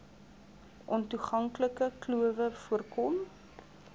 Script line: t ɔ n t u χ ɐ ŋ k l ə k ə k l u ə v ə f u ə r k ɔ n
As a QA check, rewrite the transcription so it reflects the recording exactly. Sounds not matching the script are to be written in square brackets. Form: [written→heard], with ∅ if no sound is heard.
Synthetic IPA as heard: [t→ʔ] ɔ n t u χ ɐ ŋ k l ə k ə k l u ə v ə f u ə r k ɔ [n→m]